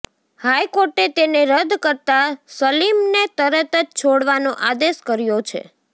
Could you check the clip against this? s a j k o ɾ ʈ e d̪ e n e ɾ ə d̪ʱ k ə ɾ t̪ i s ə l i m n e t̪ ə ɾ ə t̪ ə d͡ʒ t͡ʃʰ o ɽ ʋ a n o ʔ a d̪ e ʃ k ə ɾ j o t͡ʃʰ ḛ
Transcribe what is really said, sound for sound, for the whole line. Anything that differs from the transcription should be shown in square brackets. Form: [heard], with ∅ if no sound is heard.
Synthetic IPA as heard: [h] a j k o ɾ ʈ e [t̪] e n e ɾ ə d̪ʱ k ə ɾ t̪ [a] s ə l i m n e t̪ ə ɾ ə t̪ ə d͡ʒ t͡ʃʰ o ɽ ʋ a n o ʔ a d̪ e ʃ k ə ɾ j o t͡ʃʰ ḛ